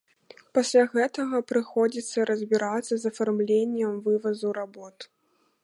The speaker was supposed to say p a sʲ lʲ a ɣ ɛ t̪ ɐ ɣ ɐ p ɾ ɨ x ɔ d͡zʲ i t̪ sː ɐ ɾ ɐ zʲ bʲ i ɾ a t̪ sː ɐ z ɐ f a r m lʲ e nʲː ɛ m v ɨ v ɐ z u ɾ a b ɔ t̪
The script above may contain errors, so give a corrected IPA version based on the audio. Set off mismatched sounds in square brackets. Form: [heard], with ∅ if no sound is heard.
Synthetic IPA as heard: p a sʲ lʲ a ɣ ɛ t̪ ɐ ɣ ɐ p ɾ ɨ x ɔ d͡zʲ i t̪ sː ɐ ɾ ɐ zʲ bʲ i ɾ a t̪ sː ɐ z ɐ f a r m lʲ e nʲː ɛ m v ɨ v ɐ z u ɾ a b ɔ t̪